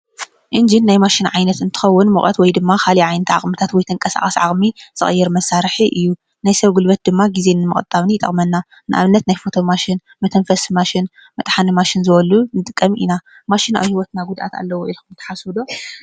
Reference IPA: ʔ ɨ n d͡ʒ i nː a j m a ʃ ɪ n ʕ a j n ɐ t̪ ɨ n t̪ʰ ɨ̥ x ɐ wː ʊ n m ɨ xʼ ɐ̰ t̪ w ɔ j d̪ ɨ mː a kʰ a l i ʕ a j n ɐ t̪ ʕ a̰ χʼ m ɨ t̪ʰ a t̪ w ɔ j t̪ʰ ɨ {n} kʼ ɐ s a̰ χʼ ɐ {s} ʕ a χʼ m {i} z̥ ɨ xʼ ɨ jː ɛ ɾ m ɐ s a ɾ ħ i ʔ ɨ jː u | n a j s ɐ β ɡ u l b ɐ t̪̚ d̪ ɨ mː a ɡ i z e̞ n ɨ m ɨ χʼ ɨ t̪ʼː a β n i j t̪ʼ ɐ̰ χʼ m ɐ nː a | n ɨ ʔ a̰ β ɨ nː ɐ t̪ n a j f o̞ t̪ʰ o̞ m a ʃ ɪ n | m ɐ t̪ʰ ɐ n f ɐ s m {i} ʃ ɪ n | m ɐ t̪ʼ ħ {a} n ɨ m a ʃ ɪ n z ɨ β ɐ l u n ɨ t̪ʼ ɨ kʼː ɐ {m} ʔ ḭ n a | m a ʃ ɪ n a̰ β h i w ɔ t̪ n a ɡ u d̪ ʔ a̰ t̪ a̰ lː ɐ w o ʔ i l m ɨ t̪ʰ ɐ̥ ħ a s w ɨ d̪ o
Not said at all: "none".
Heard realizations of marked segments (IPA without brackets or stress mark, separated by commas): ŋ, s, i, a, a, m